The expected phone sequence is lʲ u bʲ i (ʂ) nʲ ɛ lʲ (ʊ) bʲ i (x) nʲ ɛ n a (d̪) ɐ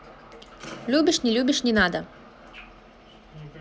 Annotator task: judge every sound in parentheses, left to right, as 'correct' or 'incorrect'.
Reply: correct, incorrect, incorrect, correct

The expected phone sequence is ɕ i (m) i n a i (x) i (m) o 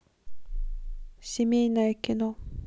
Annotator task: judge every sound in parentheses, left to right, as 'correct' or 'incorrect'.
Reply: correct, incorrect, incorrect

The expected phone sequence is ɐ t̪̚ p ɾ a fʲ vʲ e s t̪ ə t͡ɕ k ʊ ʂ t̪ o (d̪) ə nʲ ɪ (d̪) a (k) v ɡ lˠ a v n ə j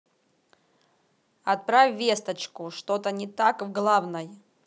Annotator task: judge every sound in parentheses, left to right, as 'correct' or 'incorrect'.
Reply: incorrect, incorrect, correct

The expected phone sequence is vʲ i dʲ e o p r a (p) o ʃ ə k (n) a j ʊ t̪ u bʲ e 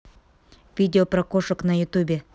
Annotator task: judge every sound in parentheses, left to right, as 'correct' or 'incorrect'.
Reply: incorrect, correct

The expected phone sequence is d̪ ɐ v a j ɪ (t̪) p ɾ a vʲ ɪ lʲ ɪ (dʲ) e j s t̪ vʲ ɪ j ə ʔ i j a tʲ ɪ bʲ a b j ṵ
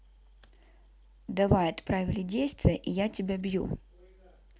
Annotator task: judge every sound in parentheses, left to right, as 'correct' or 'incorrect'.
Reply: correct, correct

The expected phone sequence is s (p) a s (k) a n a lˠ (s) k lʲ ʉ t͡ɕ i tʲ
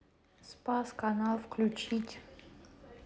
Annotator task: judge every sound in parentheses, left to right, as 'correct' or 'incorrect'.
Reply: correct, correct, incorrect

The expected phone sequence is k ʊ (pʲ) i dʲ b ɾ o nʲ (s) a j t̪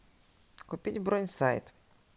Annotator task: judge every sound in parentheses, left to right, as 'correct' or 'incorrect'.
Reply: correct, correct

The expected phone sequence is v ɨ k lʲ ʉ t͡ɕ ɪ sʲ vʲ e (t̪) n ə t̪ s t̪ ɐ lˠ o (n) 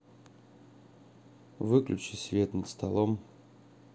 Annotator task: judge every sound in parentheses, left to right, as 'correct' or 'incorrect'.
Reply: correct, incorrect

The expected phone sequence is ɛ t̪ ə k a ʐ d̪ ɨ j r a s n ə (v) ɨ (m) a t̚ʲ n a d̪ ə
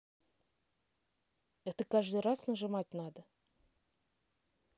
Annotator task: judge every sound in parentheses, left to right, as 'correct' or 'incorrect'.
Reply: incorrect, correct

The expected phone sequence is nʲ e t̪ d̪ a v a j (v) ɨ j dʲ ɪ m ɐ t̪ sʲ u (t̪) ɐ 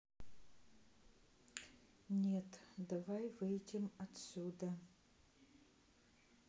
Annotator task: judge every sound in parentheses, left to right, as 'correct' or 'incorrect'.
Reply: correct, incorrect

